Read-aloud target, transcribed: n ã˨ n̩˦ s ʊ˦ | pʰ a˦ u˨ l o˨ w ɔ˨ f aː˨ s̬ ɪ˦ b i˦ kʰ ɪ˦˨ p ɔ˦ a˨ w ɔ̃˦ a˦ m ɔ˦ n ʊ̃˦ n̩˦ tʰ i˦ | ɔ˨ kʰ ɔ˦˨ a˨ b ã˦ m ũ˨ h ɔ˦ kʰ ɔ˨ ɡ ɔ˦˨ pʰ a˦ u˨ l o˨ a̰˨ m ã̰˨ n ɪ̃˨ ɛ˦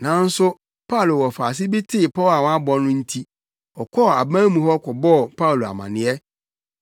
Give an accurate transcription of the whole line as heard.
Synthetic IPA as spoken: n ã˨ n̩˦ s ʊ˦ | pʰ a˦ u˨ l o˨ w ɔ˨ f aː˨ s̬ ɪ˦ b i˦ tʰ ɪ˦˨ p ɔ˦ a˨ w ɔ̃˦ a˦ b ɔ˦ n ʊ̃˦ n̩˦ tʰ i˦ | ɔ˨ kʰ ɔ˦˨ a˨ b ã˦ m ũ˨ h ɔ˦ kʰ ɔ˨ b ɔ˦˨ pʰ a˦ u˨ l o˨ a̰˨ m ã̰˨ n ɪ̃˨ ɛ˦

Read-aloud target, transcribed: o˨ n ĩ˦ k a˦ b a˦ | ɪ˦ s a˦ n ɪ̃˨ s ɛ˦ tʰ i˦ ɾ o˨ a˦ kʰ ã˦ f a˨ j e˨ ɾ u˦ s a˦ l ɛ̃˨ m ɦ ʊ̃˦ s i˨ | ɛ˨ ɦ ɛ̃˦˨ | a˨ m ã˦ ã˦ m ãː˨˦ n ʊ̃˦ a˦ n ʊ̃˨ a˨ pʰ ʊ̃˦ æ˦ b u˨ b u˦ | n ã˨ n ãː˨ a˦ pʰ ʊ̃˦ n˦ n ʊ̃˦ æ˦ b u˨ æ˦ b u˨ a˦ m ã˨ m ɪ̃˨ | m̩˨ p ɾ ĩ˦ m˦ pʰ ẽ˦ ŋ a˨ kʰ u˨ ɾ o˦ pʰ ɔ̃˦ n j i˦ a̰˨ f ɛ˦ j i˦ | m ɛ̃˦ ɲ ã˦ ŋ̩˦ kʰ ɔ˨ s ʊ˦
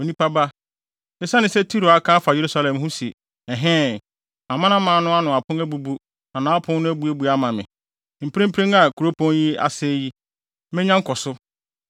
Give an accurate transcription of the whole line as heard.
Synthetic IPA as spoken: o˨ n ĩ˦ p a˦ b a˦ | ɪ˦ s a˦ n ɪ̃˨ s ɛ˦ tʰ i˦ ɾ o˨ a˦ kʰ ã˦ f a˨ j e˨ ɾ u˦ s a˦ l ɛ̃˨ m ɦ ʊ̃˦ s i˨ | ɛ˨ ɦ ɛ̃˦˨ | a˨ m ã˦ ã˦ m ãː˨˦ n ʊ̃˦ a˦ n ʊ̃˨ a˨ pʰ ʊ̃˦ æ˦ b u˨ b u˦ | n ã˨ n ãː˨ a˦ pʰ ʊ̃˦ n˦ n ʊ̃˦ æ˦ b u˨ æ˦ b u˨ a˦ m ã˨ m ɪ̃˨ | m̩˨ p ɾ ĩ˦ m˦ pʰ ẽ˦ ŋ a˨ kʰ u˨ ɾ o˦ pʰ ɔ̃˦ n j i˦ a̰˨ s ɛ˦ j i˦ | m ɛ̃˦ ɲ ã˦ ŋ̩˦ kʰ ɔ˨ s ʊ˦

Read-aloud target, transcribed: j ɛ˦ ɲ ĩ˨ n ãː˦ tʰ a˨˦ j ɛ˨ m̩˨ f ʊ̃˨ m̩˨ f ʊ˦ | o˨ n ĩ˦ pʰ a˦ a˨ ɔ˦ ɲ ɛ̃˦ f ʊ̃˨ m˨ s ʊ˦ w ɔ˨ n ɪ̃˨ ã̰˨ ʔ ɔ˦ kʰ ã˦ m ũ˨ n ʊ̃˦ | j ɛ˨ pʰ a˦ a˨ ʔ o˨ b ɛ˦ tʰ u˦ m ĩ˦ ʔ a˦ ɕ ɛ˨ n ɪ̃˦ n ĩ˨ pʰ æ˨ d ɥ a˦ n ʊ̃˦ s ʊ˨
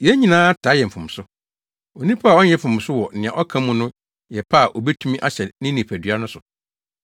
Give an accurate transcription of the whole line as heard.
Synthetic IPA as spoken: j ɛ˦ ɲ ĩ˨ n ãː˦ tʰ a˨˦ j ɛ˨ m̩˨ f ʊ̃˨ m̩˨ s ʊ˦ | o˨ n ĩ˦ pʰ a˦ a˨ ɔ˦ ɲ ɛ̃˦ f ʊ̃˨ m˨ s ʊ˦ w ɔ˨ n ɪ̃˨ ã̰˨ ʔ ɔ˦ kʰ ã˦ m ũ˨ n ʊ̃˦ | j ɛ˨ pʰ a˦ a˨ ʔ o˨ b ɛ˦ tʰ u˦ m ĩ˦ ʔ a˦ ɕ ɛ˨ n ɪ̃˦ n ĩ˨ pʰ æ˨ d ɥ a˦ n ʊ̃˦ s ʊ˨

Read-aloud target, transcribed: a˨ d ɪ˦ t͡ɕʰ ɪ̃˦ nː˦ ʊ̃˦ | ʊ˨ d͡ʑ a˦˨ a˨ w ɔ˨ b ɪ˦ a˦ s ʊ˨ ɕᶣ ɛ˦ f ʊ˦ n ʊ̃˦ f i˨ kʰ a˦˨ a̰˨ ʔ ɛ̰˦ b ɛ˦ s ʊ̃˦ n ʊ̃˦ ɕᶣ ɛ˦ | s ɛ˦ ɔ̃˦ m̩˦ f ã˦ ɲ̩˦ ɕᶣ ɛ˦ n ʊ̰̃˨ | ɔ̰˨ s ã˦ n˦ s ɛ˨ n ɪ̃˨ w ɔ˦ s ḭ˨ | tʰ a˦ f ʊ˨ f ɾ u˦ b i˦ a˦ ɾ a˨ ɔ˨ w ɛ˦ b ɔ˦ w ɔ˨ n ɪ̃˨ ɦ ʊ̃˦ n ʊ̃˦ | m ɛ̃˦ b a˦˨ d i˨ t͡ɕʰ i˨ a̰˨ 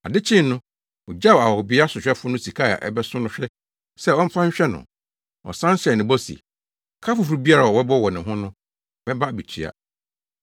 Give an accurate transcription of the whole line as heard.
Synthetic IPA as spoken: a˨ d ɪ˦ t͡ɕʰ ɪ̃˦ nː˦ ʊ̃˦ | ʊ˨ d͡ʑ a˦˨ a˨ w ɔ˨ b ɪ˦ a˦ s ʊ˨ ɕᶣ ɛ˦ f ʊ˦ n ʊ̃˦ s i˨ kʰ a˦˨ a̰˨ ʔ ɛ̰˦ b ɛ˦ s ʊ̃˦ n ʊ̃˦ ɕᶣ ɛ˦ | s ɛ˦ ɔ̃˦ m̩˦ f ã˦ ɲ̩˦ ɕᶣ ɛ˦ n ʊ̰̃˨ | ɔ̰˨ s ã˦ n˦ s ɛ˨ n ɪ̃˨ b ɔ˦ s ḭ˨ | kʰ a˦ f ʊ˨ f ɾ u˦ b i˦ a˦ ɾ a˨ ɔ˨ w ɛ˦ b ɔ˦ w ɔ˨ n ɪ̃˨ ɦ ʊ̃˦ n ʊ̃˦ | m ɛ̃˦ b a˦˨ b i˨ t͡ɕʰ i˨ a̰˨

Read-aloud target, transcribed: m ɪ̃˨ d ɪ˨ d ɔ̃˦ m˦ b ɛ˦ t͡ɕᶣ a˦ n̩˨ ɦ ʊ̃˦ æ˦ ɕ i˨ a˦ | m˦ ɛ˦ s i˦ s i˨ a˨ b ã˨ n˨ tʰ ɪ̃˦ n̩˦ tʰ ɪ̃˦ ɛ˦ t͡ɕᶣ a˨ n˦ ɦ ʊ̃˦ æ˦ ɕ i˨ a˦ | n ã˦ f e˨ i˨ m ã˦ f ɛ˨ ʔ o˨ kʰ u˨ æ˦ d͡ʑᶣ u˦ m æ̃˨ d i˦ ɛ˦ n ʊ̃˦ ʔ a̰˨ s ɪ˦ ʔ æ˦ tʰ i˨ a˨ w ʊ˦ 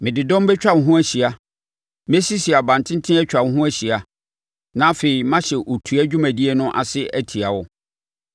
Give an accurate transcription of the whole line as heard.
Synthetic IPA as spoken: m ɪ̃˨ d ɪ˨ d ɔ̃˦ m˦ b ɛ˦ t͡ɕᶣ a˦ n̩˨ ɦ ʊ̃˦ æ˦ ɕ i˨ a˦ | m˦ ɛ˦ s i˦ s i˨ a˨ b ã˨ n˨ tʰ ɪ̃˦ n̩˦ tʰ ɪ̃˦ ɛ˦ t͡ɕᶣ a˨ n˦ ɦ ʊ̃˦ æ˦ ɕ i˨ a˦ | n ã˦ f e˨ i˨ m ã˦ ɕ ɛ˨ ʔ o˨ tʰ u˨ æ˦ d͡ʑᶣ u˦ m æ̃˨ d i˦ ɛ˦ n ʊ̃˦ ʔ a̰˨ s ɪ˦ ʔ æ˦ tʰ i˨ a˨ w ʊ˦

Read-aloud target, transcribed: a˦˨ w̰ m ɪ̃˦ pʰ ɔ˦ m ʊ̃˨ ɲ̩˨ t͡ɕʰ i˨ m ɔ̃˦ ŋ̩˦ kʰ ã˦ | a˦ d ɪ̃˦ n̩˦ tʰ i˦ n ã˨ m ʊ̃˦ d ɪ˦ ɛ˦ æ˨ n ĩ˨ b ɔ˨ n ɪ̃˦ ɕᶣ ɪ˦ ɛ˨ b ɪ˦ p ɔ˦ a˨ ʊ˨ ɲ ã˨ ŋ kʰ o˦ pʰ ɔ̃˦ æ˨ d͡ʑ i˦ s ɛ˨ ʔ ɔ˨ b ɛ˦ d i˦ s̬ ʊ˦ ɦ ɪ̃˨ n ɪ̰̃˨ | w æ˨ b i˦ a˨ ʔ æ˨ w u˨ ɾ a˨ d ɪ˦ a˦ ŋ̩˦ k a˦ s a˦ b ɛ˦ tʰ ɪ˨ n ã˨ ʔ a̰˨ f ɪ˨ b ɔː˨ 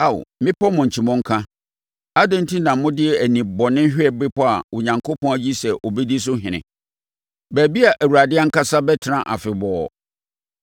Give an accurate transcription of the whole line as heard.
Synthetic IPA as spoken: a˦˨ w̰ m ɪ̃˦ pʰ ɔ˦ m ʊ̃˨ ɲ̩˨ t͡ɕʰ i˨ m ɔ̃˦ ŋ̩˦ kʰ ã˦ | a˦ d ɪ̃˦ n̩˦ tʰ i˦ n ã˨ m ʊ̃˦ d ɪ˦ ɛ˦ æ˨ n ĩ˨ b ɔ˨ n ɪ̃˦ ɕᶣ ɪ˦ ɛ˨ b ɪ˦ p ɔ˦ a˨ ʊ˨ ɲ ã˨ ŋ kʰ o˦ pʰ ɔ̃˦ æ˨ d͡ʑ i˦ s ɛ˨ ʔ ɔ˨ b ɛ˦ d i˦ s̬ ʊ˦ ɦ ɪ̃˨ n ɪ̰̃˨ | b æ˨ b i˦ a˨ ʔ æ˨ w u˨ ɾ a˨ d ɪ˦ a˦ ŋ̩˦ k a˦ s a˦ b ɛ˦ tʰ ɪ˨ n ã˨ ʔ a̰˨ f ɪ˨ b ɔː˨

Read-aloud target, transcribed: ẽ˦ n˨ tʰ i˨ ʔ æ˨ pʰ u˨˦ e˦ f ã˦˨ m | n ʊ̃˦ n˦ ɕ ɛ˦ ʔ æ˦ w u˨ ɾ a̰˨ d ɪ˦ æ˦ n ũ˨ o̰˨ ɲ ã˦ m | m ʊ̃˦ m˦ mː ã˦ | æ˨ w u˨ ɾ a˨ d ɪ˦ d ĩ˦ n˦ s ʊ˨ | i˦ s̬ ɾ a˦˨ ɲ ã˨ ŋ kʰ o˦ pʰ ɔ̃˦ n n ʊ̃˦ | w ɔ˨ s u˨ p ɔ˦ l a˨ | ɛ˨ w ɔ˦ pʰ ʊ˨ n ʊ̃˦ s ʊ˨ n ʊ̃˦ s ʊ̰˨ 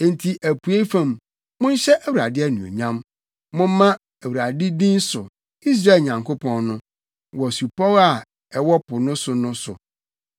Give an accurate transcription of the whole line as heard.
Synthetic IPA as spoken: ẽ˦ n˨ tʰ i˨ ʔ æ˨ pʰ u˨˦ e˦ f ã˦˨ m | m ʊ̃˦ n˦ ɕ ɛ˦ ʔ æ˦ w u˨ ɾ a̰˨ d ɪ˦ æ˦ n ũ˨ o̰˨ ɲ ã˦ m | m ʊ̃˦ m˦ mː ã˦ | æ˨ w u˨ ɾ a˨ d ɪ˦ d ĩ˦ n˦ s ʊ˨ | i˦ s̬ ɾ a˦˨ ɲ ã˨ ŋ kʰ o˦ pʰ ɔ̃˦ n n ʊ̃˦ | w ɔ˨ s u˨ p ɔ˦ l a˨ | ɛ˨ w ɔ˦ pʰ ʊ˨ n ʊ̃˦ s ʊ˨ n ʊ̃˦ s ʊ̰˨

